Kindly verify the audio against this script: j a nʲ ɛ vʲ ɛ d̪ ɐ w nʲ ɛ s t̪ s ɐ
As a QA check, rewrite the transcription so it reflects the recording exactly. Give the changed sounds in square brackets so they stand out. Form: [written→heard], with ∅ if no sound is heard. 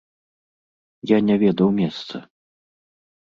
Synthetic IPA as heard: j a nʲ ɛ vʲ ɛ d̪ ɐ w [nʲ→mʲ] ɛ s t̪ s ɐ